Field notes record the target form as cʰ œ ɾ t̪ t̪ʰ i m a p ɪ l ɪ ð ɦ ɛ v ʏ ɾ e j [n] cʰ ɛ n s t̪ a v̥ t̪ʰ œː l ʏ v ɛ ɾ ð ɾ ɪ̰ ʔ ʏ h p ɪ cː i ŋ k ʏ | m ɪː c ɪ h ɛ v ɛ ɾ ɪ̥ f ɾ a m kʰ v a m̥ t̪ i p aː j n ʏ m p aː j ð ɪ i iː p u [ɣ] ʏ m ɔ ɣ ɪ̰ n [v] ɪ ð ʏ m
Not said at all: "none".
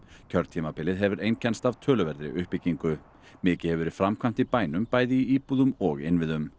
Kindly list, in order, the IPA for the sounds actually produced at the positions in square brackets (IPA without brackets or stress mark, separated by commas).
n, ð, v